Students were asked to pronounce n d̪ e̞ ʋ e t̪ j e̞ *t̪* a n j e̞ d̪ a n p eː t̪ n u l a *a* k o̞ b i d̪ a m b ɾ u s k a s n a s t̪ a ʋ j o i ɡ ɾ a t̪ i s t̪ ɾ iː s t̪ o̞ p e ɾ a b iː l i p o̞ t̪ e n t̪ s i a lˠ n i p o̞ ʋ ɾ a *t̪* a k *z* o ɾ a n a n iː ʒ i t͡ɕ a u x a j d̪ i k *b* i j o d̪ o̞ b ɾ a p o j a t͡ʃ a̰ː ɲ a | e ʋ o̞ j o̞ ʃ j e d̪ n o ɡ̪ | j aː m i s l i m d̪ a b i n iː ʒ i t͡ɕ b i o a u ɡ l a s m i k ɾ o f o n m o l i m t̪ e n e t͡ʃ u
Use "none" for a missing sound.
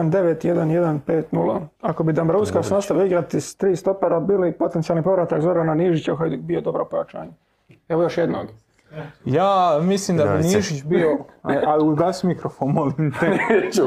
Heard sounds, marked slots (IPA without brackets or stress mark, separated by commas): d̪, a, t̪, z, b